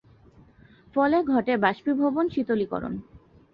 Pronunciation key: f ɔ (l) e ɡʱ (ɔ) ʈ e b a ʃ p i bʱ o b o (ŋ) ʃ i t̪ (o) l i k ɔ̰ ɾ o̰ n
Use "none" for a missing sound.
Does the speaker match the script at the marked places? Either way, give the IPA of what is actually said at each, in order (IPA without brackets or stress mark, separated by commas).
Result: l, ɔ, n, o